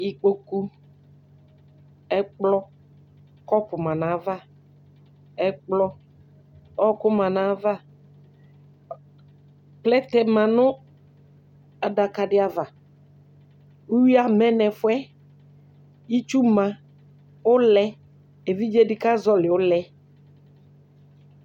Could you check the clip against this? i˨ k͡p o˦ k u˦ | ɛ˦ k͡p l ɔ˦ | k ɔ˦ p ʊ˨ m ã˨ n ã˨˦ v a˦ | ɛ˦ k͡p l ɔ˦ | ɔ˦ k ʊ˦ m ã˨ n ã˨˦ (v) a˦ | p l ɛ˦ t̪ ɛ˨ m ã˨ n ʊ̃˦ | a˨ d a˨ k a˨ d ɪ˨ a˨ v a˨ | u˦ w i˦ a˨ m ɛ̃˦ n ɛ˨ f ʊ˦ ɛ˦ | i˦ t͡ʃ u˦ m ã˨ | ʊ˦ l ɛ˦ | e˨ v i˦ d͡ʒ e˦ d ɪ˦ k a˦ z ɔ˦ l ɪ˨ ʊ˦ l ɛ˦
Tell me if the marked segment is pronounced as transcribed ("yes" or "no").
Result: yes